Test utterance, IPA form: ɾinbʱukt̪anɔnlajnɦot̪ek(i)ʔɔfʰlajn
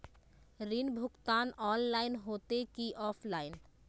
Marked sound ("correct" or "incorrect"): correct